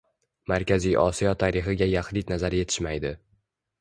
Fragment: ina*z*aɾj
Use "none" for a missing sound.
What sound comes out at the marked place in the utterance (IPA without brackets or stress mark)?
z